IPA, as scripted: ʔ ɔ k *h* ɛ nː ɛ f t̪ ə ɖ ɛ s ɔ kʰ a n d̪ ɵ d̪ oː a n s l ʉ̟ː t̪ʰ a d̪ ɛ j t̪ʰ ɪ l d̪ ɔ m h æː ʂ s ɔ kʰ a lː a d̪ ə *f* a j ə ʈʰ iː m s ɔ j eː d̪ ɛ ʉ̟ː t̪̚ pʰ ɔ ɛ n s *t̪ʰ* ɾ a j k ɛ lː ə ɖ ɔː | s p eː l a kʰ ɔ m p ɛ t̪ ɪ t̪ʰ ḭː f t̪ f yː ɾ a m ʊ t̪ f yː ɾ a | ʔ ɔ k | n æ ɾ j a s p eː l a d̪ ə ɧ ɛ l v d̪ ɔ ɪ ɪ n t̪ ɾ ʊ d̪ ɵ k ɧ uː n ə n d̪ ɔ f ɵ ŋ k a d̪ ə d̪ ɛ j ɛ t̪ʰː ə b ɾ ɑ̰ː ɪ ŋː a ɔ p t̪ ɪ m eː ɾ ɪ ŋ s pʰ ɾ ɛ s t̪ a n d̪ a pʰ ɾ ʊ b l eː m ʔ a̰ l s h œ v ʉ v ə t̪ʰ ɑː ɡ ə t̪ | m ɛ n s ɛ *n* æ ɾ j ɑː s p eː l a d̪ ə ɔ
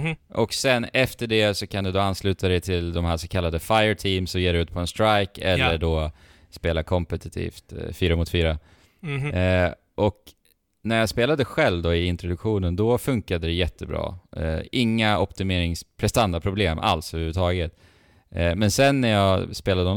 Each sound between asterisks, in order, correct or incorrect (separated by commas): incorrect, correct, incorrect, incorrect